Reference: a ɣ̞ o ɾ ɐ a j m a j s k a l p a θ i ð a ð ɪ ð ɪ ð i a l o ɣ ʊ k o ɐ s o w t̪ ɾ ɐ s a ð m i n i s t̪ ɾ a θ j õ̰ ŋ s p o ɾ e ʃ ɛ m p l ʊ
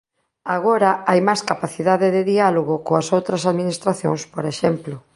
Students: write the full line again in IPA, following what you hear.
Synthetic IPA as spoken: a ɣ̞ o ɾ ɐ a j m a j s k a p a θ i ð a ð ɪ ð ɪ ð i a l o ɣ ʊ k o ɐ s o w t̪ ɾ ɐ s a ð m i n i s t̪ ɾ a θ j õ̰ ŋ s p o ɾ e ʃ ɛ m p l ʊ